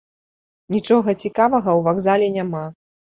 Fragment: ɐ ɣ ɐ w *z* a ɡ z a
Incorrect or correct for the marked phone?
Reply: incorrect: v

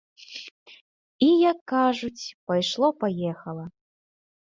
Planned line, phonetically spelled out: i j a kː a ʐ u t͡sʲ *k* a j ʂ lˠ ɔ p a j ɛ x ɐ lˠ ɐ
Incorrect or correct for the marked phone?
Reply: incorrect: p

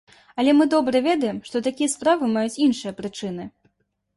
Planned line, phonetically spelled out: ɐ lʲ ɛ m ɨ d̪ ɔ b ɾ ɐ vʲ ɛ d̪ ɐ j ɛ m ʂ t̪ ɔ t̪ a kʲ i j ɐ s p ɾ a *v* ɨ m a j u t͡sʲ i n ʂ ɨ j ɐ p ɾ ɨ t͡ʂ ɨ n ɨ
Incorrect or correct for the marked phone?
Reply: correct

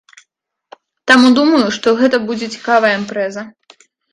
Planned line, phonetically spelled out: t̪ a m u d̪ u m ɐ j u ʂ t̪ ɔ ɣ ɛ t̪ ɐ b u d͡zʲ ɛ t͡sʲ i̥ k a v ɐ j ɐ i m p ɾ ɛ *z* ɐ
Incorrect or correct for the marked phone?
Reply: correct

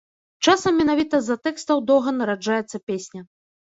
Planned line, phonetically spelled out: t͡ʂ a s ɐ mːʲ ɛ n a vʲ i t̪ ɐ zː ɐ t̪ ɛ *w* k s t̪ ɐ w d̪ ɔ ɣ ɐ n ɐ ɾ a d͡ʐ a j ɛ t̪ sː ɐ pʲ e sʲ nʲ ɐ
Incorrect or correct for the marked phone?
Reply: incorrect: none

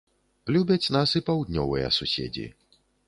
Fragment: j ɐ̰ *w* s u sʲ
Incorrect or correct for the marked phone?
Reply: incorrect: none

